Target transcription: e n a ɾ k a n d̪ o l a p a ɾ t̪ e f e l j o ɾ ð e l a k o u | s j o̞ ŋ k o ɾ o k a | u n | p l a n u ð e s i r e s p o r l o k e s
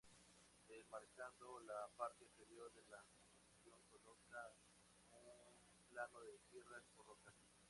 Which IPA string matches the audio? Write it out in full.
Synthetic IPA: e m a ɾ k a n d̪ o l a p a ɾ t̪ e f e ɾ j o ɾ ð e l a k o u | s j o̞ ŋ k o l o k a | u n | p l a n o ð e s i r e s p o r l o k a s